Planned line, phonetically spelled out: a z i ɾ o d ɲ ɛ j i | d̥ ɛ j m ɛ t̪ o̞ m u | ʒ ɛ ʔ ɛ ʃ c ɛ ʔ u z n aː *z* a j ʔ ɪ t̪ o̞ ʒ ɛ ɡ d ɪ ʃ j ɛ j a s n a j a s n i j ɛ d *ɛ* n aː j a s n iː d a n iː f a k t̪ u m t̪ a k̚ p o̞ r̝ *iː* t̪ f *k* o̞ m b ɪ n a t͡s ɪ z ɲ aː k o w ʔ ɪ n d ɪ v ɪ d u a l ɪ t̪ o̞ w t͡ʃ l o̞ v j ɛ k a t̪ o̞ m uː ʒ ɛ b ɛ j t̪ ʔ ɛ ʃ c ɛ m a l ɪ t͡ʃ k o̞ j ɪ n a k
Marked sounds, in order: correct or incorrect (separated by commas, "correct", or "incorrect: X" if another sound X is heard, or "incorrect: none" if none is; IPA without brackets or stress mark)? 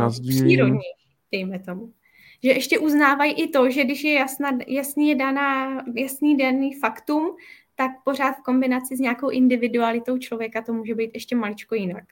incorrect: v, incorrect: a, incorrect: aː, correct